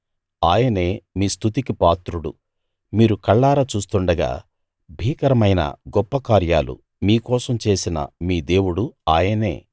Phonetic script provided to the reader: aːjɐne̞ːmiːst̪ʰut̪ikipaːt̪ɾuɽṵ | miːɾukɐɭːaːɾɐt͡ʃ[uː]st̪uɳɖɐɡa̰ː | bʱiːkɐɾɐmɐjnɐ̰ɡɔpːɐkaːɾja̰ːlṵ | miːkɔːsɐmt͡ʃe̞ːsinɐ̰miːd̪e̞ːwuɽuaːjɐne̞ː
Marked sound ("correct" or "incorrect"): correct